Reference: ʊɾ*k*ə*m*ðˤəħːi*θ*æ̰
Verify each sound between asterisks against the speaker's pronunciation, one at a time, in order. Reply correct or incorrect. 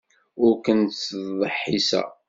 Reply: correct, incorrect: n, incorrect: s

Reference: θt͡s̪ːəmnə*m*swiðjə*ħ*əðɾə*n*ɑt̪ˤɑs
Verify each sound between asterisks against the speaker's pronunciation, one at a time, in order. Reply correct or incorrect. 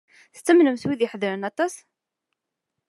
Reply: correct, correct, correct

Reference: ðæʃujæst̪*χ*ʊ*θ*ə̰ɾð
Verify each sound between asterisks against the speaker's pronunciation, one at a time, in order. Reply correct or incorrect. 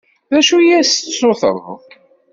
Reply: incorrect: s, correct

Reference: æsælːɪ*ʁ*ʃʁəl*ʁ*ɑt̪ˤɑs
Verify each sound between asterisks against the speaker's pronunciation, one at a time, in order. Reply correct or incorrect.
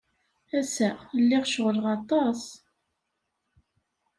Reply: correct, correct

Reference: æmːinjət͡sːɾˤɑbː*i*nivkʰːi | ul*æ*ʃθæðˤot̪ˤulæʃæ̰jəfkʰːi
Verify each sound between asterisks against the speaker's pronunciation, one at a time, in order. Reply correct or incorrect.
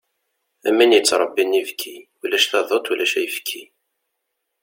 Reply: correct, correct

